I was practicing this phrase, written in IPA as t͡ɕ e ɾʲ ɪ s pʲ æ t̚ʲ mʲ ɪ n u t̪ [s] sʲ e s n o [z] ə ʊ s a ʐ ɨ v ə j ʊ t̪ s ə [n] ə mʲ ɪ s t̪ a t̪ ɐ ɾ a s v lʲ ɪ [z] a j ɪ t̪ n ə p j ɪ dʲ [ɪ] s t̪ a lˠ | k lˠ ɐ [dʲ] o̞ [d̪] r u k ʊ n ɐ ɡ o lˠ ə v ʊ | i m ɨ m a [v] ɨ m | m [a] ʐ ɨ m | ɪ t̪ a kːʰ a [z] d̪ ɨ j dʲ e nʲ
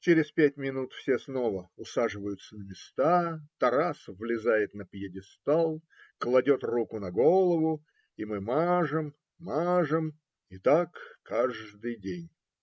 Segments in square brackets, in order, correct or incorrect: incorrect: f, incorrect: v, correct, correct, correct, correct, incorrect: t̪, incorrect: ʐ, correct, incorrect: ʐ

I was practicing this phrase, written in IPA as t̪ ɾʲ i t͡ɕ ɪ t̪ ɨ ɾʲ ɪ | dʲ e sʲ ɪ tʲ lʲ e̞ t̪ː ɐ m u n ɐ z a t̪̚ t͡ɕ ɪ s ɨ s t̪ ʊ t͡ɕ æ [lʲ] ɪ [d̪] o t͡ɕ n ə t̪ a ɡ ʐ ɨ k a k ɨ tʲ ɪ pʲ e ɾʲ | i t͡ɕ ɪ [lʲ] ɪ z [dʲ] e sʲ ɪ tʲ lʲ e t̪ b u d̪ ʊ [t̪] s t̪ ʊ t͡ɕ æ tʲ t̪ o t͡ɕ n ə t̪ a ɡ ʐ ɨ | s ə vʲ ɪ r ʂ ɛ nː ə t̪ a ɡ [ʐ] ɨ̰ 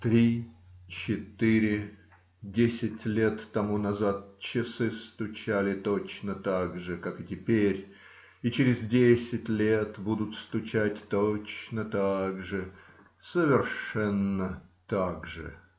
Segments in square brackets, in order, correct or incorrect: correct, incorrect: t̪, incorrect: ɾʲ, correct, correct, correct

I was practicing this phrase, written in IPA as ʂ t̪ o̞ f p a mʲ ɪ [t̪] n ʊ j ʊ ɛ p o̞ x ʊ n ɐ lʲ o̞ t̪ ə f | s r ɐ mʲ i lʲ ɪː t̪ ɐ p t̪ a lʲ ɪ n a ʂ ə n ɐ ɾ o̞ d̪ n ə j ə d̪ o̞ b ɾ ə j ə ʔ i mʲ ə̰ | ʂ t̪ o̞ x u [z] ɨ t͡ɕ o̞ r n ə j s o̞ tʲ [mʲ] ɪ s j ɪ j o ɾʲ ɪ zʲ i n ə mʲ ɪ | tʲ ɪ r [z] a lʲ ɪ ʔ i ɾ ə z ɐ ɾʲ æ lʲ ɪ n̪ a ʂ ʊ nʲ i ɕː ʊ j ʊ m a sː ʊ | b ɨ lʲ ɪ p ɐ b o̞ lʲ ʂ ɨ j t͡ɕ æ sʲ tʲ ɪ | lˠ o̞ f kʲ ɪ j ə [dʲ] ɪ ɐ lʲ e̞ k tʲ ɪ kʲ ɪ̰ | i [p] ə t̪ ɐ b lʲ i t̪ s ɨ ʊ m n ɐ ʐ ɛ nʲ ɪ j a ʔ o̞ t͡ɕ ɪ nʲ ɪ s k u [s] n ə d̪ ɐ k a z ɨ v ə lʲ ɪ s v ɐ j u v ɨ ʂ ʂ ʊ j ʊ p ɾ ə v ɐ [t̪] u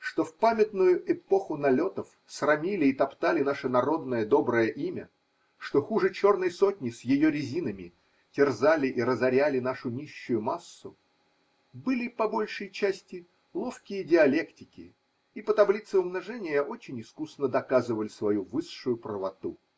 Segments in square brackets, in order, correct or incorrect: correct, incorrect: ʐ, incorrect: nʲ, correct, correct, correct, correct, correct

